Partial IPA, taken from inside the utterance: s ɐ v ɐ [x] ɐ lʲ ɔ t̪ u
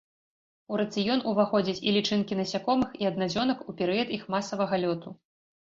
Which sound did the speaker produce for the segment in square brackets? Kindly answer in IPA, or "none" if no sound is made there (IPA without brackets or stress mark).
ɣ